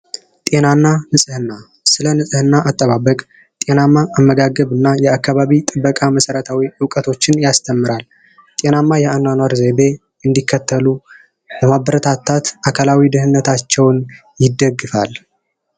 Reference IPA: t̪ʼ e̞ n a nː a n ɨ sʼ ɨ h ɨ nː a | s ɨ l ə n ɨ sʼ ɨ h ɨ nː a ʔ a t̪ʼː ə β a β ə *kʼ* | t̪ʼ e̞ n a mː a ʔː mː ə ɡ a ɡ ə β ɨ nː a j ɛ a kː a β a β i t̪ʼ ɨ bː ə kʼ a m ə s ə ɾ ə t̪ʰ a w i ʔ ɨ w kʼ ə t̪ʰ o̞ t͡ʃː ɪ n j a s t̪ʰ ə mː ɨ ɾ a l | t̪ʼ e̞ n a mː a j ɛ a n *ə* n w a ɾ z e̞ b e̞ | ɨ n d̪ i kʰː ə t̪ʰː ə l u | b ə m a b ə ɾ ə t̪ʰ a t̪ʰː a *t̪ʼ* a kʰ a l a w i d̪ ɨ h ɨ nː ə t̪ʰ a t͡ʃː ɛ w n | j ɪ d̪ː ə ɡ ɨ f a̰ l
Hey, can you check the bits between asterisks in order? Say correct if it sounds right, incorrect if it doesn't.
correct, incorrect, incorrect

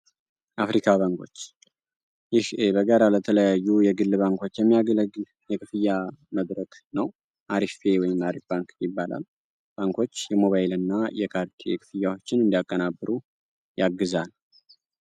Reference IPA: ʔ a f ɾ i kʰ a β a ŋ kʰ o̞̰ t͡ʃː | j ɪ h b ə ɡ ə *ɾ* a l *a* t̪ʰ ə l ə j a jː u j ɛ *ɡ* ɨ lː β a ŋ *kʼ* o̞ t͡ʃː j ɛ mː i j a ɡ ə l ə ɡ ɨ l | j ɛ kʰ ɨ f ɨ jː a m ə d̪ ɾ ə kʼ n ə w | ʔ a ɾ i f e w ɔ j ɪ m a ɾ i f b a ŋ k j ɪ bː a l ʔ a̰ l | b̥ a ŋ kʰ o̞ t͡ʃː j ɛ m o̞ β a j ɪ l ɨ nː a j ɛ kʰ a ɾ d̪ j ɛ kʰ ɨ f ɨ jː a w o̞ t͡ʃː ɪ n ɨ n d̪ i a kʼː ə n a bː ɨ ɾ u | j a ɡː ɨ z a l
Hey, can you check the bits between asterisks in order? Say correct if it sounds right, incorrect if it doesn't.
correct, incorrect, correct, incorrect

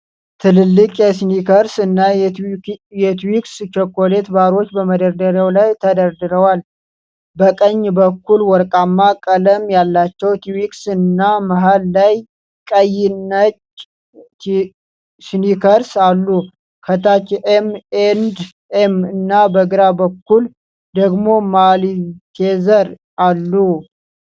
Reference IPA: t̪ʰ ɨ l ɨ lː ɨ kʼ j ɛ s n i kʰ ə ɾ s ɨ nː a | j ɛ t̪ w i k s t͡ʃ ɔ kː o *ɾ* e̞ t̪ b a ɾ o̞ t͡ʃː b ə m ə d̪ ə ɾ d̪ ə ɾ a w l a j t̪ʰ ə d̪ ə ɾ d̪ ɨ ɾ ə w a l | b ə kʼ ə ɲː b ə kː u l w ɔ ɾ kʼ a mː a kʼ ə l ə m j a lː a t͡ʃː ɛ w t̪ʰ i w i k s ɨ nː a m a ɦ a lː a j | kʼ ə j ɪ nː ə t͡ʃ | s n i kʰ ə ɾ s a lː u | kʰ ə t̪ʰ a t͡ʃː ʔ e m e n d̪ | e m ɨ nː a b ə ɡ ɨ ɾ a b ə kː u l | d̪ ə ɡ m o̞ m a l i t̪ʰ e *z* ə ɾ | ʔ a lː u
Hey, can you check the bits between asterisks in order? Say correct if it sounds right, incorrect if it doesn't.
incorrect, correct

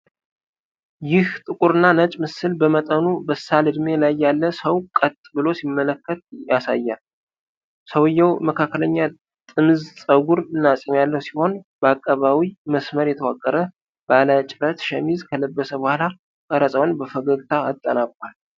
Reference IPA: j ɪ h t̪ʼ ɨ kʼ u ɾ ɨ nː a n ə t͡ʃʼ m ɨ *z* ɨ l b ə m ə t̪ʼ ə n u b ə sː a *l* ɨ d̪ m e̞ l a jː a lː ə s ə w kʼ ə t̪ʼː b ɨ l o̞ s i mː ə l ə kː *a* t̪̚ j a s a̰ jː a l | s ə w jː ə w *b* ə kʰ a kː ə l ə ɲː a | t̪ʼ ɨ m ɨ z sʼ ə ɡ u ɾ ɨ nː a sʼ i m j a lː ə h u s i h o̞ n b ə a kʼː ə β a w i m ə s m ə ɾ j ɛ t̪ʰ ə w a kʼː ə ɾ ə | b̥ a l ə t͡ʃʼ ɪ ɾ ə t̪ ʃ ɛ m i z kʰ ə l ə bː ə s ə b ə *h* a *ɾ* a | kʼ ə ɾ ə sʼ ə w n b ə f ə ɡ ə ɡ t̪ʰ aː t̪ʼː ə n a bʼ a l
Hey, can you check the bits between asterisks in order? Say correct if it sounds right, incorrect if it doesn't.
incorrect, correct, incorrect, incorrect, correct, incorrect

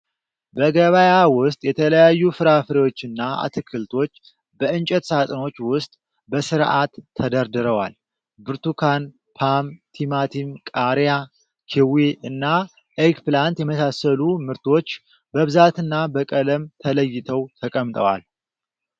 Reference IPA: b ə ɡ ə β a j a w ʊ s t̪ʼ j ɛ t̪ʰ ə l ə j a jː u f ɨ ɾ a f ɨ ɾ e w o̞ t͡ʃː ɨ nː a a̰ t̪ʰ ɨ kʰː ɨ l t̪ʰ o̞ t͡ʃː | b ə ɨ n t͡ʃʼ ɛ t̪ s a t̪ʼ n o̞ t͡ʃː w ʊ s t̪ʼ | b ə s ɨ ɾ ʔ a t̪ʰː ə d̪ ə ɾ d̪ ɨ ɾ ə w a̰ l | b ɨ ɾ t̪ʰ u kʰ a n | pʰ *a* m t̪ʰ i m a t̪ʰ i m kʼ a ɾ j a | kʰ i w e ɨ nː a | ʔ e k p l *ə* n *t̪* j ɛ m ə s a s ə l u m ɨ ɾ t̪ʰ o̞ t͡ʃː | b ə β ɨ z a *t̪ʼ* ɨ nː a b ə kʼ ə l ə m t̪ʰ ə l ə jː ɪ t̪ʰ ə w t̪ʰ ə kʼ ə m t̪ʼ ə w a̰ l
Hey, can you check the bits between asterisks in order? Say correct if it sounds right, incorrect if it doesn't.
correct, incorrect, correct, incorrect

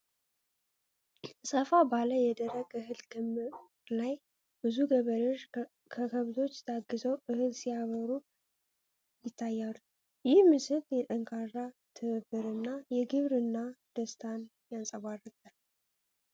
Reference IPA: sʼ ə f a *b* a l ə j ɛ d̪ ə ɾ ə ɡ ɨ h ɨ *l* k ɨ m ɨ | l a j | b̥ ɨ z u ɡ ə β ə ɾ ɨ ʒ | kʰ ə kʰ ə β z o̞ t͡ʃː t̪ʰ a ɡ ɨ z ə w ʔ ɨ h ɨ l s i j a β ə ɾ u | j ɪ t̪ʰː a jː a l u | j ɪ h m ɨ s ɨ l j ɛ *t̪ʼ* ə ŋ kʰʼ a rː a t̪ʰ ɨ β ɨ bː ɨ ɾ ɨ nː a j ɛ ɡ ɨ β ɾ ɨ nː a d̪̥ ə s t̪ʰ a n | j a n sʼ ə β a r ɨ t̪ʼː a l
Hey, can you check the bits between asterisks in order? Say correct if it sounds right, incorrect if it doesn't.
correct, correct, correct

